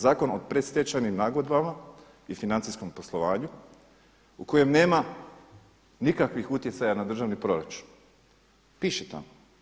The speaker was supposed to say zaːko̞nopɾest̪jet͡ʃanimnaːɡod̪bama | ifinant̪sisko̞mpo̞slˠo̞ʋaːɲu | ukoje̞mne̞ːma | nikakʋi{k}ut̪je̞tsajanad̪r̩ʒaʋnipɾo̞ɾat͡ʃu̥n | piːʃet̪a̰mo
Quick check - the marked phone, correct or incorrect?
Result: incorrect: x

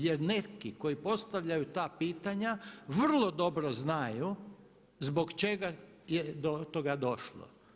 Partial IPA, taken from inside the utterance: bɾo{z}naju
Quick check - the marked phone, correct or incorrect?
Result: correct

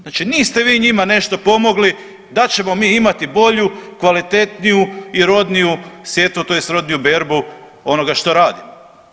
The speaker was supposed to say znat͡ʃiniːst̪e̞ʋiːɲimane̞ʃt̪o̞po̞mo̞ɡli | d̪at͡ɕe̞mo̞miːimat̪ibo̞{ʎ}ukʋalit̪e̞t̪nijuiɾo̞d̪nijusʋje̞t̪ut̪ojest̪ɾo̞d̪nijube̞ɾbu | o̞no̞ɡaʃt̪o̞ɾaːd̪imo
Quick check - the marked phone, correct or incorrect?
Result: correct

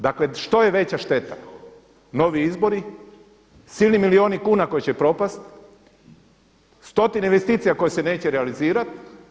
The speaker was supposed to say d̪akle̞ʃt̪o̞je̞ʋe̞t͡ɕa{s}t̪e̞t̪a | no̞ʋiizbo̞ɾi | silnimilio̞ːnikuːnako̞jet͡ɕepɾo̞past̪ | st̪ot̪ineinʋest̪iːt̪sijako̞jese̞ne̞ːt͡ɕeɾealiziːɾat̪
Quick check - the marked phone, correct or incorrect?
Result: incorrect: ʃ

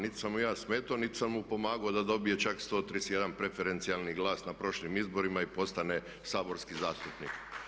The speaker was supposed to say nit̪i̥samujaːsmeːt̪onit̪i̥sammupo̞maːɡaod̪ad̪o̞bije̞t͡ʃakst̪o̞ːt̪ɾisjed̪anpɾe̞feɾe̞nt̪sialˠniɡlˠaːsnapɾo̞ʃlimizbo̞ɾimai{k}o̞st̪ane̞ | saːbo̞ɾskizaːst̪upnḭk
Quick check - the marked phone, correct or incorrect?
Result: incorrect: p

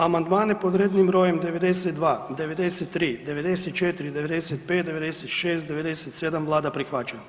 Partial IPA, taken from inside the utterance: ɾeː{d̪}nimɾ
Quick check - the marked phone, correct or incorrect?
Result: correct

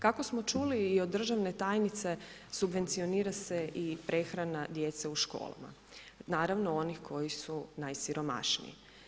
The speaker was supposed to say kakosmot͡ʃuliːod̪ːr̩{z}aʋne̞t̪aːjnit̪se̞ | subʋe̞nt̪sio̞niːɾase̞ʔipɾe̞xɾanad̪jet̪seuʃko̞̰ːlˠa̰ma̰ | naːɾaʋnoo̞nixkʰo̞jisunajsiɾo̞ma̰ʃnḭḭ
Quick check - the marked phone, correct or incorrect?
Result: incorrect: ʒ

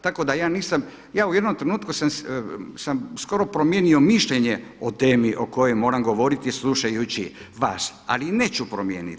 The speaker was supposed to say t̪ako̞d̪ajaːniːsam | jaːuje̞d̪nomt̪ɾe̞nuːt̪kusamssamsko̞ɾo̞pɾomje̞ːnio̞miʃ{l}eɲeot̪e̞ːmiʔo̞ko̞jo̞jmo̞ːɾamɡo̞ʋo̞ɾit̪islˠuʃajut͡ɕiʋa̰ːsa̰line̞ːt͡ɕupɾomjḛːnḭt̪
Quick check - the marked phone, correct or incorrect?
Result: incorrect: ʎ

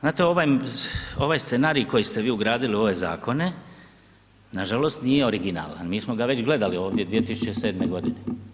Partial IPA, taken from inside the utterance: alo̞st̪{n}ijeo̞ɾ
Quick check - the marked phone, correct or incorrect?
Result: correct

